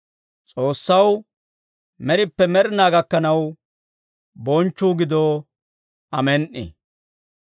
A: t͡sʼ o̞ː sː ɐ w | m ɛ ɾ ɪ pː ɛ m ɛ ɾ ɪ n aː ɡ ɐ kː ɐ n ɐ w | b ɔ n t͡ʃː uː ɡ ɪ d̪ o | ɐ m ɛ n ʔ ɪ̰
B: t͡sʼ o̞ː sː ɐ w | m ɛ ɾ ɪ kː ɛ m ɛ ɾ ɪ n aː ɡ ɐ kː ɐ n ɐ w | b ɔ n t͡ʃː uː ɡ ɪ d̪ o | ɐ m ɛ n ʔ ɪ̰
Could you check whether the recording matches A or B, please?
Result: A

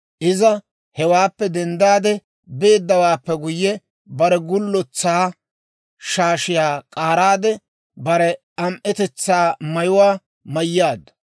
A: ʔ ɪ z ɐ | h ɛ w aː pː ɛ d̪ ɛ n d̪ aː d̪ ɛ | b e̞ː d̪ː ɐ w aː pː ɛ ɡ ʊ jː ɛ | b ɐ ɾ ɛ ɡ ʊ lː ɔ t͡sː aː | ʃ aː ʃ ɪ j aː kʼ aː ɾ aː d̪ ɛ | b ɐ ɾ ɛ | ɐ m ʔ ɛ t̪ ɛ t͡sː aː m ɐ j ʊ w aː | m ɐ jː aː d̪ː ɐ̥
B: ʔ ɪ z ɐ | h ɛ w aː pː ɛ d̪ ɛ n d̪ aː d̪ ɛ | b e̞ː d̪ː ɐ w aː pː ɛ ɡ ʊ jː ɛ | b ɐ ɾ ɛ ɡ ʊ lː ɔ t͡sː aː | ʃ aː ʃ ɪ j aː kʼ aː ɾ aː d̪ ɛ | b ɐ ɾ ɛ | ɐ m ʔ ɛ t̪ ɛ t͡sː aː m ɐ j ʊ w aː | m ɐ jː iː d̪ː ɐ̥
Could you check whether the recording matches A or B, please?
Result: A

